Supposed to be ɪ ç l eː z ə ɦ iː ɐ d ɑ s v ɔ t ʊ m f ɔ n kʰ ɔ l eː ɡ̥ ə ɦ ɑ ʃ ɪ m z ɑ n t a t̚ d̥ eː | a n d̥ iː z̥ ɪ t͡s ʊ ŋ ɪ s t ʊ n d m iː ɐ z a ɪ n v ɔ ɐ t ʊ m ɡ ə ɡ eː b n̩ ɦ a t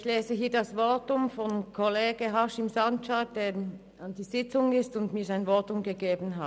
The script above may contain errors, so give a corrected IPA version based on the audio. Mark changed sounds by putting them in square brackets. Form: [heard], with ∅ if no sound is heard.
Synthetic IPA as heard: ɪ ç l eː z ə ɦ iː ɐ d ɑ s v ɔ t ʊ m f ɔ n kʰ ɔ l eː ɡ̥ ə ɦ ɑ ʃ ɪ m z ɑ n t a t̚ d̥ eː | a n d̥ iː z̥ ɪ t͡s ʊ ŋ ɪ s t ʊ n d m iː ɐ z a ɪ n v ɔ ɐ t ʊ m ɡ ə ɡ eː b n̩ ɦ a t